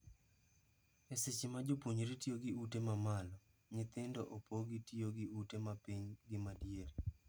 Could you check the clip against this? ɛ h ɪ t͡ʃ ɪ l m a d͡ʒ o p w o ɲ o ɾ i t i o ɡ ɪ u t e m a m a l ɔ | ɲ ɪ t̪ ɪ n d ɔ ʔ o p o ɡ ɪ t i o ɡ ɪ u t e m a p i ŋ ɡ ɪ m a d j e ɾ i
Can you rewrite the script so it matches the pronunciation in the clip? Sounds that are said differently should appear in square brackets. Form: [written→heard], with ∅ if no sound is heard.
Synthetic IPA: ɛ [h→s] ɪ t͡ʃ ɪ [l→∅] m a d͡ʒ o p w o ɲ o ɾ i t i o ɡ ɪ u t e m a m a l ɔ | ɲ ɪ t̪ ɪ n d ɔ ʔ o p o ɡ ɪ t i o ɡ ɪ u t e m a p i [ŋ→ɲ] ɡ ɪ m a d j e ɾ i